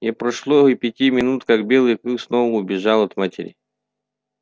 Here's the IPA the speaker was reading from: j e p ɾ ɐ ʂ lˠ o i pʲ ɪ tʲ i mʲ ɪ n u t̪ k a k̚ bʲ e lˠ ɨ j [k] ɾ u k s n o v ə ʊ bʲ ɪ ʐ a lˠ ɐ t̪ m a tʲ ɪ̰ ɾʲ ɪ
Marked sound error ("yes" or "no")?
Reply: no